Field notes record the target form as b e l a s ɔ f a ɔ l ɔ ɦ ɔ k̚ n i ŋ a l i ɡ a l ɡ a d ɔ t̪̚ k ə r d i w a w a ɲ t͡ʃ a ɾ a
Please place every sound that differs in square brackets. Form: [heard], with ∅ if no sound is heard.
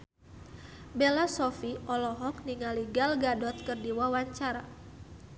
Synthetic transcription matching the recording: b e l a s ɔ f [i] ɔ l ɔ ɦ ɔ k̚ n i ŋ a l i ɡ a l ɡ a d ɔ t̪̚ k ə r d i w a w a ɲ t͡ʃ a ɾ a